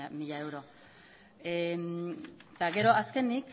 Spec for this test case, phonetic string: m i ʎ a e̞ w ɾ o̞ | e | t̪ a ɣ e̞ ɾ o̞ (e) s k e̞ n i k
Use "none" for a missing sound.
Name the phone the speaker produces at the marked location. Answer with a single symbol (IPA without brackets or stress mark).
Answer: a